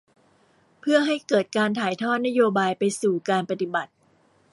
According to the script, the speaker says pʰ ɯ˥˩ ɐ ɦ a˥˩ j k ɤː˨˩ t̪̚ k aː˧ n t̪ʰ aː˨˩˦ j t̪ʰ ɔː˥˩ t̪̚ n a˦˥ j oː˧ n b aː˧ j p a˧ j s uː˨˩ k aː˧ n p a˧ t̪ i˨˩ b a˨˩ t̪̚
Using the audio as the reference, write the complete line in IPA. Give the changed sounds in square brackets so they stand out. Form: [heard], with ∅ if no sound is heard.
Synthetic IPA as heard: pʰ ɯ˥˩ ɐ ɦ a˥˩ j k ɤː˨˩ t̪̚ k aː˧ n t̪ʰ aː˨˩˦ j t̪ʰ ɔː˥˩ t̪̚ n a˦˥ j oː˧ [∅] b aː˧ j p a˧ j s uː˨˩ k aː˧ n p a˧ t̪ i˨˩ b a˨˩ t̪̚